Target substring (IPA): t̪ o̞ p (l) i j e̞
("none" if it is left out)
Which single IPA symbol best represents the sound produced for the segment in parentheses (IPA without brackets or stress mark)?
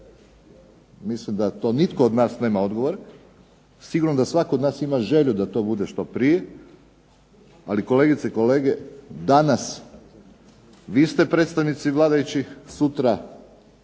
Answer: ɾ